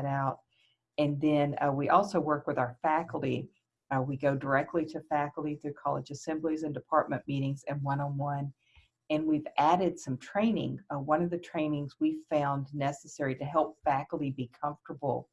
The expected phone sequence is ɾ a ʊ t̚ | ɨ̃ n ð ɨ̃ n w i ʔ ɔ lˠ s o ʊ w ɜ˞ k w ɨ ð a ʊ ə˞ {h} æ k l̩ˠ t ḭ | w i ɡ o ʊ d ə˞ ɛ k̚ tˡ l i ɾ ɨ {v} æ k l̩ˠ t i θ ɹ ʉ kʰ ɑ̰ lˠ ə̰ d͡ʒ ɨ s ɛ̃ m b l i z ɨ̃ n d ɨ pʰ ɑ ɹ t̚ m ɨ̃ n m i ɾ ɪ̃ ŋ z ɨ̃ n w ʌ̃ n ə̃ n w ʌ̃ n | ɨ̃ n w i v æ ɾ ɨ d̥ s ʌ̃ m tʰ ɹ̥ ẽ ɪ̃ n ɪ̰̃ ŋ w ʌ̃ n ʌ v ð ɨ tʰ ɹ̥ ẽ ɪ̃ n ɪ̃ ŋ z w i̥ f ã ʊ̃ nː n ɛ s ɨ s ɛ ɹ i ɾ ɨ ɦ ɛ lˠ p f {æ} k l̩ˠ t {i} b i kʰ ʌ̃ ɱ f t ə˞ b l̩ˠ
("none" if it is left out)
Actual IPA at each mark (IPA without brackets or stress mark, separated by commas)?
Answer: f, f, æ, i